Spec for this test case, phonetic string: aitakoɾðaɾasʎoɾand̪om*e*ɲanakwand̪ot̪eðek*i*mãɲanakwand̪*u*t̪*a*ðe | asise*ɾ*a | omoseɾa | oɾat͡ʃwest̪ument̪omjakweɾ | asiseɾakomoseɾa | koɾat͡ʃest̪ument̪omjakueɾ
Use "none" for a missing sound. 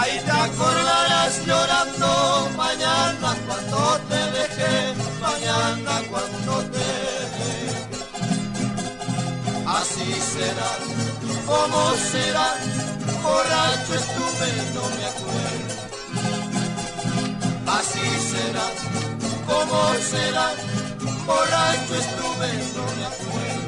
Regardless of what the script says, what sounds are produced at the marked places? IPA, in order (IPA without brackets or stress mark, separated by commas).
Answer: a, e, o, e, ɾ